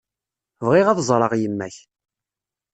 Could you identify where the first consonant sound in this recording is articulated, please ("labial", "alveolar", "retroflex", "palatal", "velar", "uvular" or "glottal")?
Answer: labial